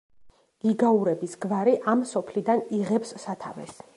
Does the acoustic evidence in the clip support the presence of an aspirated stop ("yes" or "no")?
yes